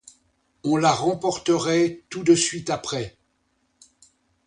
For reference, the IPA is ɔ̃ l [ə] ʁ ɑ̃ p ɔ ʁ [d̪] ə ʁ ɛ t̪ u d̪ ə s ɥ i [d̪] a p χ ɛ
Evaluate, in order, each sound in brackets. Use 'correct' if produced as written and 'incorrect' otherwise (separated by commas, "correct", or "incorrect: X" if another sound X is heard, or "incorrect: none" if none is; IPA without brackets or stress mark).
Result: incorrect: a, incorrect: t̪, incorrect: t̪